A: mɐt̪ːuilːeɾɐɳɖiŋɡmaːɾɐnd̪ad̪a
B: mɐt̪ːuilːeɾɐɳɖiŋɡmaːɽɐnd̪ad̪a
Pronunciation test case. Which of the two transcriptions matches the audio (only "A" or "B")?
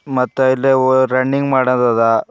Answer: B